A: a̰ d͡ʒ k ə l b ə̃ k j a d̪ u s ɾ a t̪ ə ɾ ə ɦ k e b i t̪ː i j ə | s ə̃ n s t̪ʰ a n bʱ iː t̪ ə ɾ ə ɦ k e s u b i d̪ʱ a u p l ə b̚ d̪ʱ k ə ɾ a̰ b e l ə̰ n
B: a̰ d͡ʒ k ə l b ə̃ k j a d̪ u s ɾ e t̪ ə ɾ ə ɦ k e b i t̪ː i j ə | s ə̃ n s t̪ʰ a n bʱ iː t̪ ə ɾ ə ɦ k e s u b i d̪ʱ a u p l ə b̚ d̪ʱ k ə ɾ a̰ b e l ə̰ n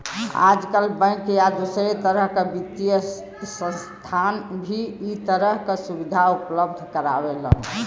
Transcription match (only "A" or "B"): B